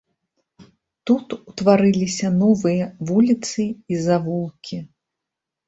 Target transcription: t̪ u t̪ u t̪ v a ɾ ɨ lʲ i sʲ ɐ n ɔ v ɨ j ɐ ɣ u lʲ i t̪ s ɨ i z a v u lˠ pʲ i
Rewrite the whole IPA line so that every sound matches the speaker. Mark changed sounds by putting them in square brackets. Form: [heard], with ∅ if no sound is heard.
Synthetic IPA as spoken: t̪ u t̪ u t̪ v a ɾ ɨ lʲ i sʲ ɐ n ɔ v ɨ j ɐ [v] u lʲ i t̪ s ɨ i z a v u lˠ [kʲ] i